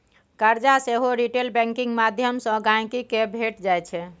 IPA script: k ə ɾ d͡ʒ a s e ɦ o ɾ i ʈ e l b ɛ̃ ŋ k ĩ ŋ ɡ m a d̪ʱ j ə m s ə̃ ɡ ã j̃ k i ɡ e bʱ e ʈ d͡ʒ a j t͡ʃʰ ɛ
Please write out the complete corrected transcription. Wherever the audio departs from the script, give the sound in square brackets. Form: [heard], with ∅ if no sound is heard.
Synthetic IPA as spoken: k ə ɾ d͡ʒ a s e ɦ o ɾ i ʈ e l b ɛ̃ ŋ k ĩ ŋ ɡ m a d̪ʱ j ə m s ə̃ ɡ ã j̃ k i [k] e bʱ e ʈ d͡ʒ a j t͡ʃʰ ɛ